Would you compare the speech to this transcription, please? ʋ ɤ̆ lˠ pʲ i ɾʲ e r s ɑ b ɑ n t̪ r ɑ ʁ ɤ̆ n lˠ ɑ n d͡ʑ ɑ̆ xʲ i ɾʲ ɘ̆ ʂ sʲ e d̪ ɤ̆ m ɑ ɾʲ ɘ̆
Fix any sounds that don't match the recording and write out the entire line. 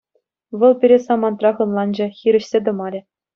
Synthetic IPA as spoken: ʋ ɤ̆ lˠ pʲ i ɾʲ e s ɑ m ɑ n t̪ r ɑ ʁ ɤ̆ n lˠ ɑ n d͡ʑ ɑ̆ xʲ i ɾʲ ɘ̆ ɕ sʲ e d̪ ɤ̆ m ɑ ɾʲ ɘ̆